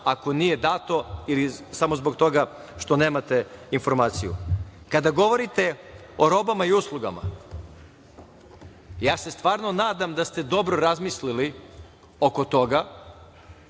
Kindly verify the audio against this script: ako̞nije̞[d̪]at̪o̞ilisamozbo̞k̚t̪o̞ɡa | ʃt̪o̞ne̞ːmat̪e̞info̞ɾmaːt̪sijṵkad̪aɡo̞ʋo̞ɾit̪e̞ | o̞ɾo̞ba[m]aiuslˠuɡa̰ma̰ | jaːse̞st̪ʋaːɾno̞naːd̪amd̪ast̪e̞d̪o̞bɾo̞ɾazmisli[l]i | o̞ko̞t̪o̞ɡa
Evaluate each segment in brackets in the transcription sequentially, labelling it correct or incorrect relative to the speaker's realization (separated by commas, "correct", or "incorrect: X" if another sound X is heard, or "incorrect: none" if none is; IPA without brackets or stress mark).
correct, correct, correct